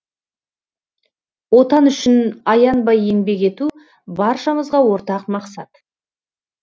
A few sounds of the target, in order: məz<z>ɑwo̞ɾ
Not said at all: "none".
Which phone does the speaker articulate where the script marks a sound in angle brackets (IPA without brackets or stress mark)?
ʁ